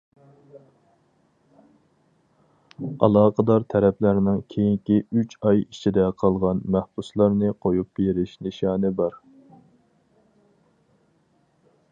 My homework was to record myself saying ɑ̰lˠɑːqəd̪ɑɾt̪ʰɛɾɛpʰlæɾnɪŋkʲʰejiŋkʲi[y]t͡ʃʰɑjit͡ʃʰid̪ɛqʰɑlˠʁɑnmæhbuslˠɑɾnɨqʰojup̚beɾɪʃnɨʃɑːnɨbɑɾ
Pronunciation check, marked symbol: correct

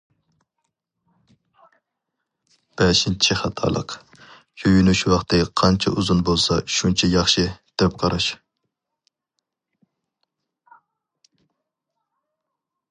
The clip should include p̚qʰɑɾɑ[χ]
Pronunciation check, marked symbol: incorrect: ʃ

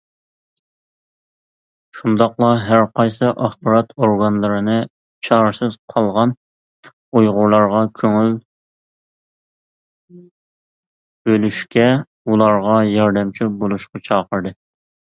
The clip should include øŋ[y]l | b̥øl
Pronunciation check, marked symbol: correct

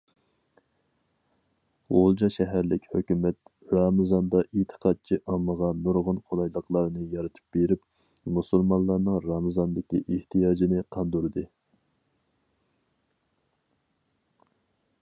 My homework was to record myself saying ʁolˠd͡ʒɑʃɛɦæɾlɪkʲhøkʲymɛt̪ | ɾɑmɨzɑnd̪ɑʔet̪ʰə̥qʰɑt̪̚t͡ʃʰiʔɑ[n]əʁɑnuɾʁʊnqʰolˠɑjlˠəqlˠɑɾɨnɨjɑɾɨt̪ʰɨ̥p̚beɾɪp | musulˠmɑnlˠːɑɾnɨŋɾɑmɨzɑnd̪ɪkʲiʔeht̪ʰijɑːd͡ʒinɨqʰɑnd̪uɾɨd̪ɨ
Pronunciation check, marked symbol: incorrect: m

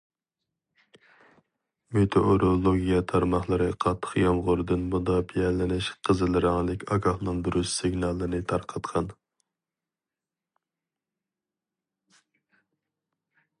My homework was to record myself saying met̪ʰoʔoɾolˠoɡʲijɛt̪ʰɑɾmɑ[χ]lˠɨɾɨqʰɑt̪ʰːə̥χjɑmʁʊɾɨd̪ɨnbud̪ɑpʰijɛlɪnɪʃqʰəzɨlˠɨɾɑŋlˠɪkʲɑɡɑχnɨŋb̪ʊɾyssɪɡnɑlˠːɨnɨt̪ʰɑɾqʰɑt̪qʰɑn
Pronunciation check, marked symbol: correct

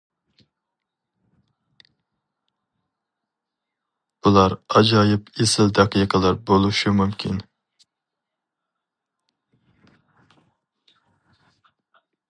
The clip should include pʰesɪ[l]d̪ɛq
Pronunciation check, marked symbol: correct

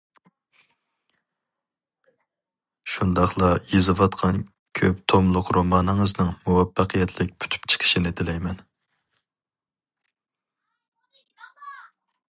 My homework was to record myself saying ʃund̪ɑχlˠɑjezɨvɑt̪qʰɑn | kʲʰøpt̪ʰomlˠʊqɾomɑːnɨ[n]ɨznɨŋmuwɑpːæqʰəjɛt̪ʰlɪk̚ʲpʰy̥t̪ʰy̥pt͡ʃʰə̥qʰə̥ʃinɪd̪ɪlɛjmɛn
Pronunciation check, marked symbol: incorrect: ŋ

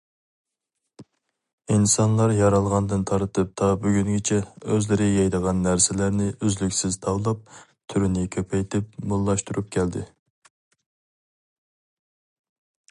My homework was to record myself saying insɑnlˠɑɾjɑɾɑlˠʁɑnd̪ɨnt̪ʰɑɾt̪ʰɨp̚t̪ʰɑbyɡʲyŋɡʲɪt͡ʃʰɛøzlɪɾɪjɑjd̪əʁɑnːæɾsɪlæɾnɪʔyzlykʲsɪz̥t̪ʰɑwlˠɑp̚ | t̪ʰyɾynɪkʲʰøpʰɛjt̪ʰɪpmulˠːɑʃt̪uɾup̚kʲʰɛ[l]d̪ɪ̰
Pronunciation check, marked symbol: correct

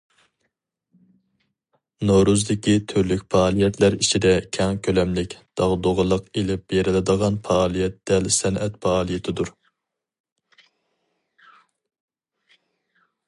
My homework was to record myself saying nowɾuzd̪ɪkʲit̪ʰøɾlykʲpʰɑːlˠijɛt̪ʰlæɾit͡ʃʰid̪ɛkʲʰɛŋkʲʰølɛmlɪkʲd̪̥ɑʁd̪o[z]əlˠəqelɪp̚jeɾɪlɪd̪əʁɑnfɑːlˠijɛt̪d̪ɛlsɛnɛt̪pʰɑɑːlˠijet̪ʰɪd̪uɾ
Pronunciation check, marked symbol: incorrect: ʁ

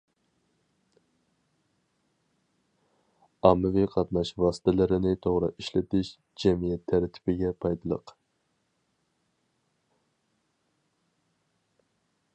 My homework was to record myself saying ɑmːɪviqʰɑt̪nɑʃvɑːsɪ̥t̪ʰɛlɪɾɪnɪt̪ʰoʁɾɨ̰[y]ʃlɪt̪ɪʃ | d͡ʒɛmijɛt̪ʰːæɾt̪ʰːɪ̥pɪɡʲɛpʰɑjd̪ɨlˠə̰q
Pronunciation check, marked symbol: incorrect: i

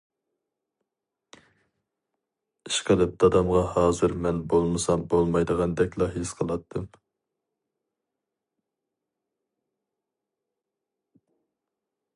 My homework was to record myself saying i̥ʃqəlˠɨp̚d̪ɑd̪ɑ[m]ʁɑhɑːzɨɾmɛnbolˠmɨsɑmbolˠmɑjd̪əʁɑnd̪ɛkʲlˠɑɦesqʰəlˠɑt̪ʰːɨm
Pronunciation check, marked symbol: correct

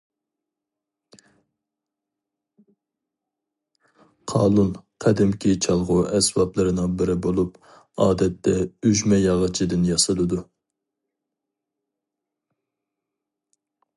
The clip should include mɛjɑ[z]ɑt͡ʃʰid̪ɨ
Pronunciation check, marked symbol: incorrect: ʁ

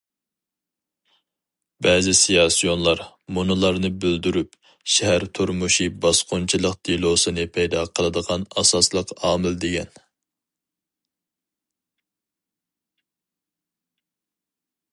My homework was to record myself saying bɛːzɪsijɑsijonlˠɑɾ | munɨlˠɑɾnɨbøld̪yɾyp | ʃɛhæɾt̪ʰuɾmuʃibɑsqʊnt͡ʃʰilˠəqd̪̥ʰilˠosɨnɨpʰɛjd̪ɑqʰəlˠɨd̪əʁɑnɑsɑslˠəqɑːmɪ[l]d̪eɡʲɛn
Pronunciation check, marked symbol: correct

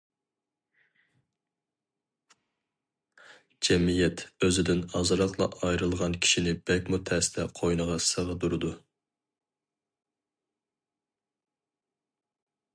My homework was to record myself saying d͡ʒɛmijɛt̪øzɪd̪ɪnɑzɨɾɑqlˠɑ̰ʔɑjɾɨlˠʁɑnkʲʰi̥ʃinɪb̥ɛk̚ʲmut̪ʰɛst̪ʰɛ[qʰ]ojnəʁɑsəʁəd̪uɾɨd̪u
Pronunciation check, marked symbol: correct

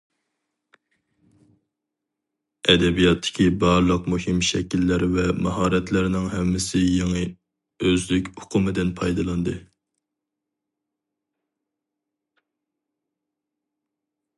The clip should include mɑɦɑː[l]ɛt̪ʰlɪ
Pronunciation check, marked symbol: incorrect: ɾ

